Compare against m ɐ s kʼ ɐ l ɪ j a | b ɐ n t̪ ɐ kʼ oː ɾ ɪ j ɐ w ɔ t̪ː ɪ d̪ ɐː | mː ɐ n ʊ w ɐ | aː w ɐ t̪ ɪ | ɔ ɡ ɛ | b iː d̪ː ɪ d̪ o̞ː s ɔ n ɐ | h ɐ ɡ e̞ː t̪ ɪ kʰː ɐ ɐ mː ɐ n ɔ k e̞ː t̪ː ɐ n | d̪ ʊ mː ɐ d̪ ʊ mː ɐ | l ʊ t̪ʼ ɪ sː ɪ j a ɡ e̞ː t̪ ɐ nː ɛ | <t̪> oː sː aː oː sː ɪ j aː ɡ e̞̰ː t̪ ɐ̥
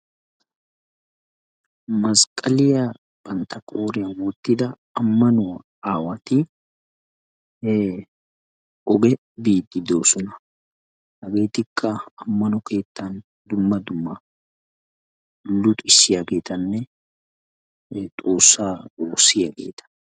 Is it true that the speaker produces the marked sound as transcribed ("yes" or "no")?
no